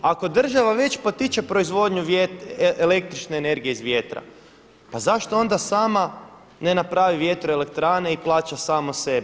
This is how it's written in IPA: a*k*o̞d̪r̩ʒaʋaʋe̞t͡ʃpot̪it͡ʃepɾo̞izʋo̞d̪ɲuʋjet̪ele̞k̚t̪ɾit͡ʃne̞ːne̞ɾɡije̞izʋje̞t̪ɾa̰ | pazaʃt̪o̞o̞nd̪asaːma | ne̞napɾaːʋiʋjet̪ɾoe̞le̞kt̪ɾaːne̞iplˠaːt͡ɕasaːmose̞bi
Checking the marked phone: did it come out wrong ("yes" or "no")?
no